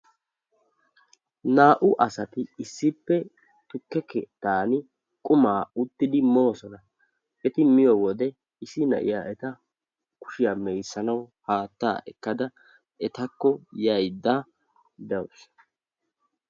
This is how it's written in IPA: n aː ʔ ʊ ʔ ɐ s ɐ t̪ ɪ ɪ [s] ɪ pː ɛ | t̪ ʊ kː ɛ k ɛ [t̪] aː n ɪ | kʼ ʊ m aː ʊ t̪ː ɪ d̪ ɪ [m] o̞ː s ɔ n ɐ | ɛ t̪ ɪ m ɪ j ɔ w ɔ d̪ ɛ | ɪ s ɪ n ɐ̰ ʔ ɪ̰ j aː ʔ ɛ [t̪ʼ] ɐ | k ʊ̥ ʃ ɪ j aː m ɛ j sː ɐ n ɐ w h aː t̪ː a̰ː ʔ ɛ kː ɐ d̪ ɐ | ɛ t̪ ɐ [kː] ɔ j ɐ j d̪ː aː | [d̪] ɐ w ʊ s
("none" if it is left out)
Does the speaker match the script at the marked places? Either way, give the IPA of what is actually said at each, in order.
sː, t̪, m, t̪, kː, d̪

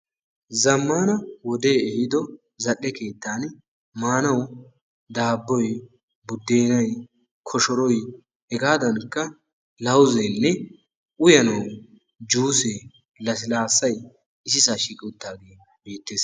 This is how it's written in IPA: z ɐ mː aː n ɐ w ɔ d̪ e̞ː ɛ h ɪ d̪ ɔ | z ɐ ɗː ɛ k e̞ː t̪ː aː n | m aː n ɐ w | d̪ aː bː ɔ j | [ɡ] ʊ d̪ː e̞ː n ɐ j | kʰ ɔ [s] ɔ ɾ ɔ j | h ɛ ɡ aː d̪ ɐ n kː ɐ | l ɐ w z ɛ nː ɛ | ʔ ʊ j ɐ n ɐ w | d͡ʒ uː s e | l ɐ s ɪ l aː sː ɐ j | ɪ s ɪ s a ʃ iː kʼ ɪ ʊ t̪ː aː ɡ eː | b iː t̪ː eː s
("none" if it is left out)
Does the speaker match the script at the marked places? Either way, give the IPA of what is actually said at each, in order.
b, ʃ

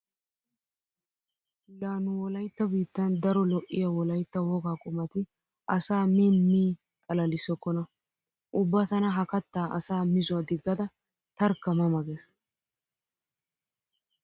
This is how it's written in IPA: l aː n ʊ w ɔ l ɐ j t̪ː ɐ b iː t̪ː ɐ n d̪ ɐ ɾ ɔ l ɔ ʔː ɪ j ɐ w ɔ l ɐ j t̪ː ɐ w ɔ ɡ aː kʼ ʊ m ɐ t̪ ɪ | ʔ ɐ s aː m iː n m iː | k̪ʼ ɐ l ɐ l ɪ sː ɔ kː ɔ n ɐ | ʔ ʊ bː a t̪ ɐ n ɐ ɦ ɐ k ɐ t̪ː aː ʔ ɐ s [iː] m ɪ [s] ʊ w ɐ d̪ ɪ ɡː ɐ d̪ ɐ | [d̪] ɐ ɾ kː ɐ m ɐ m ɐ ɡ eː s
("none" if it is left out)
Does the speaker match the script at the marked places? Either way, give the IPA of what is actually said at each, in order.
aː, z, t̪

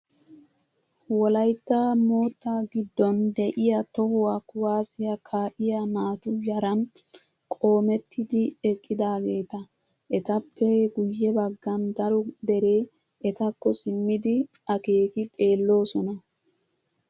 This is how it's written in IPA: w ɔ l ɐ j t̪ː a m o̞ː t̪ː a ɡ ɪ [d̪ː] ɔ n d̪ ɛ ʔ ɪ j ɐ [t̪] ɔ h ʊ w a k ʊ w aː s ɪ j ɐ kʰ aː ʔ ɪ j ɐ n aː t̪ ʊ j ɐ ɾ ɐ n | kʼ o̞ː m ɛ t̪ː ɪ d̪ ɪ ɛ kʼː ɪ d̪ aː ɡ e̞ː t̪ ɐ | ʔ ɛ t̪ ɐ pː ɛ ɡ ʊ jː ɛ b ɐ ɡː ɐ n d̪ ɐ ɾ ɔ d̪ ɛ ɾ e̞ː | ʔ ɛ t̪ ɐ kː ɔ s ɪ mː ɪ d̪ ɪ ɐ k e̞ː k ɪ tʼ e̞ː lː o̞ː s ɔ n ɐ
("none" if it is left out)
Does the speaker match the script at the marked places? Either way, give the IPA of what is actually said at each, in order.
d̪ː, t̪

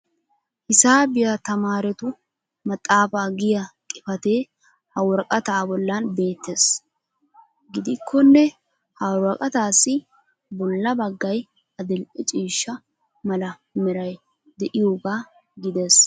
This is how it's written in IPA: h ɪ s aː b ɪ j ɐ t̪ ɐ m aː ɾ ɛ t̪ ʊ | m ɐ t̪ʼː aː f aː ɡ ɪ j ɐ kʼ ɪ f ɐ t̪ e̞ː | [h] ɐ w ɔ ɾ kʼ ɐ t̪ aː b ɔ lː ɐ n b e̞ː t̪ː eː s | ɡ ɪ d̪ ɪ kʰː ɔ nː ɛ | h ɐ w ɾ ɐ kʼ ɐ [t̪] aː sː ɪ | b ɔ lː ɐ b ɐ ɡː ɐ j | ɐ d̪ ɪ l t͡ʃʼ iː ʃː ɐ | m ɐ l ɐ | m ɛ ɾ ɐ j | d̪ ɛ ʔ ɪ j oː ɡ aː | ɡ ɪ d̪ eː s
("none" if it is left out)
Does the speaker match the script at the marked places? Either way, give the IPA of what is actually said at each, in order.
h, t̪

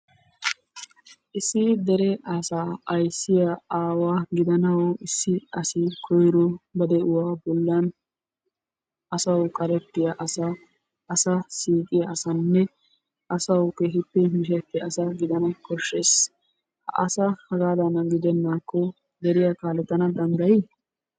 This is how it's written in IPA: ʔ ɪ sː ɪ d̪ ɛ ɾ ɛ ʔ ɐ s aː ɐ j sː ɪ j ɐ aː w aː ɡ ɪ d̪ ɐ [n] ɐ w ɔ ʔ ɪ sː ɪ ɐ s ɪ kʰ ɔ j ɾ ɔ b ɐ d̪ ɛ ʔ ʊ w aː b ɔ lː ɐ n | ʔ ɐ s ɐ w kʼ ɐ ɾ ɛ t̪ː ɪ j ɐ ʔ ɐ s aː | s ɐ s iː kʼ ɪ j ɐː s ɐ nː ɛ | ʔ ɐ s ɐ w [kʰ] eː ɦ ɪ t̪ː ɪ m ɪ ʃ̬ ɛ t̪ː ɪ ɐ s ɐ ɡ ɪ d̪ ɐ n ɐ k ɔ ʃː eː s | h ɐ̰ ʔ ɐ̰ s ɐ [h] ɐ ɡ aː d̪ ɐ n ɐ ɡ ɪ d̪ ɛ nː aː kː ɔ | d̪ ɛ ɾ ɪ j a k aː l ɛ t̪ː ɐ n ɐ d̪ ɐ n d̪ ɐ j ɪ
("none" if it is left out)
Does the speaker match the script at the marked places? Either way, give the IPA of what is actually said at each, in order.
n, k, h

